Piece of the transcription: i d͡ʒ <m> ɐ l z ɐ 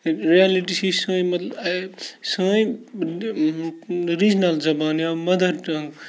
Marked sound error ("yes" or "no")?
yes